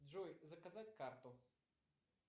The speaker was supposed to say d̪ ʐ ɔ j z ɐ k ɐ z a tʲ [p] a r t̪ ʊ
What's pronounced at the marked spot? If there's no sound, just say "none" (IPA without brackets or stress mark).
k